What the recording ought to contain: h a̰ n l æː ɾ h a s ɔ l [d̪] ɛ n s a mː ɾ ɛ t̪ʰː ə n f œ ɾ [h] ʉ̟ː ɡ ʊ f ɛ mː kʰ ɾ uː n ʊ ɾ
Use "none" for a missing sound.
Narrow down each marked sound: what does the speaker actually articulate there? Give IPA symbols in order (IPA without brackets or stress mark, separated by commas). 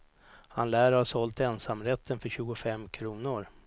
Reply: t̪, ɕ